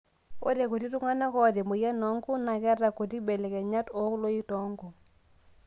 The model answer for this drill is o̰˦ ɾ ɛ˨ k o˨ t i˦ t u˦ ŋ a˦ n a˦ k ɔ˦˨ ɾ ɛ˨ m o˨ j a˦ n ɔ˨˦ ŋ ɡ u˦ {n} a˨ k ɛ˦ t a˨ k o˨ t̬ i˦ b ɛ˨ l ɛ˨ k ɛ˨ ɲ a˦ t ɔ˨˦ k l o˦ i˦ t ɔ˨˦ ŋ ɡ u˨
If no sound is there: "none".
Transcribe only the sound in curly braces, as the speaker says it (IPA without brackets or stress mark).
n